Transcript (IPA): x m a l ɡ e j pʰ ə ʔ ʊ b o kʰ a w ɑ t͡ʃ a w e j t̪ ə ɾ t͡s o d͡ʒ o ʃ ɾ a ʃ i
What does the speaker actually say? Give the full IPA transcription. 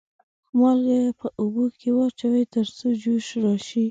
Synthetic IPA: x m ɑ l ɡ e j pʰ ə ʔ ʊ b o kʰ e w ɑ t͡ʃ a w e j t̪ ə ɾ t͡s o d͡ʒ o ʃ ɾ ɑ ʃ i